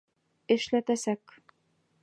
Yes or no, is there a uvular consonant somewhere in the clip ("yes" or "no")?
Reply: no